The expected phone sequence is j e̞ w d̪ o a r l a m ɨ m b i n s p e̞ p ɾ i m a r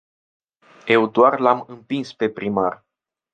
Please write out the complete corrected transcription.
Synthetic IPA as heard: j e̞ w d̪ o a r l a m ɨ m p i n s p e̞ p ɾ i m a r